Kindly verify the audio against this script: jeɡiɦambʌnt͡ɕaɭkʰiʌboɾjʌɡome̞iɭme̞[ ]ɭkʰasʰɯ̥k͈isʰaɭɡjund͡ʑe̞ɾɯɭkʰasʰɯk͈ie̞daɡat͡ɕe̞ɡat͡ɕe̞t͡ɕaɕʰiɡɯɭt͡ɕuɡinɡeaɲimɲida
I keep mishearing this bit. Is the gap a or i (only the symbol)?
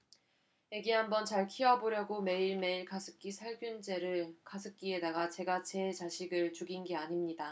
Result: i